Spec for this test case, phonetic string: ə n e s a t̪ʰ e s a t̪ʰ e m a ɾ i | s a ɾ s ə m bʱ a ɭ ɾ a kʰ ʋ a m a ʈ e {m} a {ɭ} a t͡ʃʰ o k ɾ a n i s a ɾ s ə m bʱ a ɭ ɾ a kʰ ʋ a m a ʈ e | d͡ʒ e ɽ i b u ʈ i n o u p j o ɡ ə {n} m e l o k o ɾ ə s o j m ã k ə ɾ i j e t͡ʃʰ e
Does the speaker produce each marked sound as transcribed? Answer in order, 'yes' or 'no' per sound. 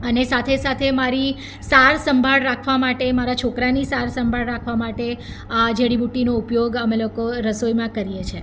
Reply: yes, no, no

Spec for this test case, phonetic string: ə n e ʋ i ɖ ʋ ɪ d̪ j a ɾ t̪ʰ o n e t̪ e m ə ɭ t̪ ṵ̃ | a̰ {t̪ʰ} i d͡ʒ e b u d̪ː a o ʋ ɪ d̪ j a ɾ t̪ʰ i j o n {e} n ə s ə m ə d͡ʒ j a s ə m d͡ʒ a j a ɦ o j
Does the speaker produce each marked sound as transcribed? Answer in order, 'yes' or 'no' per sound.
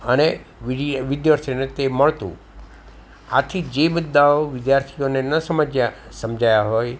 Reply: yes, yes

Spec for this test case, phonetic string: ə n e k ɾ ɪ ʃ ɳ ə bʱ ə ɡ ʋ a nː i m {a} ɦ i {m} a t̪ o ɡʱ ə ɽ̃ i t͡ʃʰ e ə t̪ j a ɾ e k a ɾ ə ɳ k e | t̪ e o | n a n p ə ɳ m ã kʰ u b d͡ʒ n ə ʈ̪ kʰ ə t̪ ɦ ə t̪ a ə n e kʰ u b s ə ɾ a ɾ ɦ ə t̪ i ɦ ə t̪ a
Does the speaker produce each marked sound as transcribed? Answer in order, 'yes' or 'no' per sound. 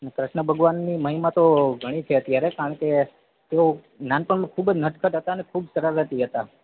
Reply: no, yes

